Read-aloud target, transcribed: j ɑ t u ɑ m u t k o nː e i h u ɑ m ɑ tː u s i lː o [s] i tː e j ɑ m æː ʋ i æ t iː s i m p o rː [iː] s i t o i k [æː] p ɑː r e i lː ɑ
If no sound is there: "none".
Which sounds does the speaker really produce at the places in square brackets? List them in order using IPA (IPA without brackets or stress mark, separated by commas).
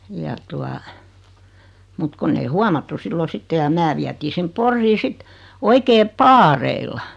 s, iː, eː